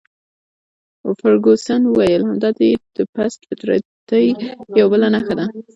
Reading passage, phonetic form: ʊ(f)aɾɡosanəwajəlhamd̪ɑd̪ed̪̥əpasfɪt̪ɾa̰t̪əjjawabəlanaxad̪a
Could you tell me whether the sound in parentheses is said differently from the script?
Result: no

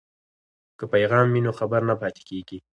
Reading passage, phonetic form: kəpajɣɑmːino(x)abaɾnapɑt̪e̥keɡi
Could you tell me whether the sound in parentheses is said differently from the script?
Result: no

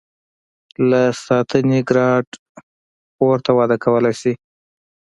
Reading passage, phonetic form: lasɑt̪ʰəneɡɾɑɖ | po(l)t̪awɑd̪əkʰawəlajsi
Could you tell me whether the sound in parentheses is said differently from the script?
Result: yes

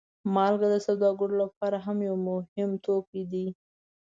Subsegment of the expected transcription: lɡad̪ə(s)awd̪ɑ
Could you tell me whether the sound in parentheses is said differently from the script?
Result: no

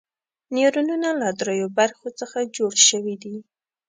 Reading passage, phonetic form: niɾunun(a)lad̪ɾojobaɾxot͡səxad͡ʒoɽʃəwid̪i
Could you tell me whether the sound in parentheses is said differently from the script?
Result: no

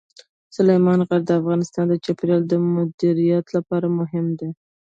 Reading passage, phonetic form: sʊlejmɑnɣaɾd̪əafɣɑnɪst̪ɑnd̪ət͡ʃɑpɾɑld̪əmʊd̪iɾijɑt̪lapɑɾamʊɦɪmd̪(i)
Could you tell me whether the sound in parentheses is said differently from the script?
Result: yes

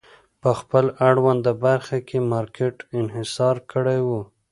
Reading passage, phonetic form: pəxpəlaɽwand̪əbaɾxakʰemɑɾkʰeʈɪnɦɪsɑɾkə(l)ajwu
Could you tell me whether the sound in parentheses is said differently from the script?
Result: yes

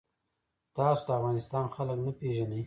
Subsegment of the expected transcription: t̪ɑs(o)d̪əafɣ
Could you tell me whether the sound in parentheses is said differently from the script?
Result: no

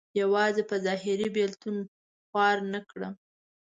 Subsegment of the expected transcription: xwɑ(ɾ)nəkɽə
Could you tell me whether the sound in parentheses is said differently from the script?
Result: no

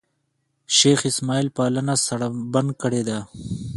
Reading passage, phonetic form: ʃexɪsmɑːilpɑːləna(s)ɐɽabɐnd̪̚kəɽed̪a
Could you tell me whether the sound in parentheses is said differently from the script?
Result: no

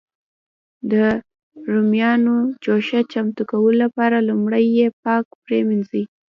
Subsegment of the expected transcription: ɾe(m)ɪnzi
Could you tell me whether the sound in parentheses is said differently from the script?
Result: no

